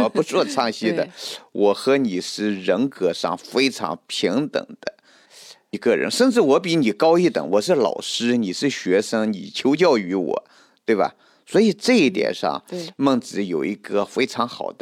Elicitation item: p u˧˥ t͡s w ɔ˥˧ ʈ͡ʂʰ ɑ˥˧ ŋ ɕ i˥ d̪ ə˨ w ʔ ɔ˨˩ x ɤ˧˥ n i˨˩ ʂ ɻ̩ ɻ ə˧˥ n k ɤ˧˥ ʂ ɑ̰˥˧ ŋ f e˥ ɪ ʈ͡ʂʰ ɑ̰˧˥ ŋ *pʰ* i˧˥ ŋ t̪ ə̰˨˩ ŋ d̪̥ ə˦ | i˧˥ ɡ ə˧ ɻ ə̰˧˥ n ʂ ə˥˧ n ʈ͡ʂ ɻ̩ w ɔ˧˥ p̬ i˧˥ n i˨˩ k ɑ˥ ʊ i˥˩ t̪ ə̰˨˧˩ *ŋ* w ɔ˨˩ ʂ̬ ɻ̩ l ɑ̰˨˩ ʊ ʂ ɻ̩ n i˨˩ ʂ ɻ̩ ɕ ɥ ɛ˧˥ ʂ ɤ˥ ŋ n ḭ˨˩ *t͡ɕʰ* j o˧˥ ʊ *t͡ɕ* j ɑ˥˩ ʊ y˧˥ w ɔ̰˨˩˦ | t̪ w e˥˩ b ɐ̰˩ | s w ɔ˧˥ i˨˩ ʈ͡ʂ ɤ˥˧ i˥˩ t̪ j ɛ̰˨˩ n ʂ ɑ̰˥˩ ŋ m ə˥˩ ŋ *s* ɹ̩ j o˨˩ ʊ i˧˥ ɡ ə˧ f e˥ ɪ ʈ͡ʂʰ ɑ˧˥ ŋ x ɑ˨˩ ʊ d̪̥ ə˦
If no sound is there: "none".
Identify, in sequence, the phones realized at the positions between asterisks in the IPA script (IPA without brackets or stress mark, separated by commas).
pʰ, ŋ, t͡ɕʰ, t͡ɕ, t͡s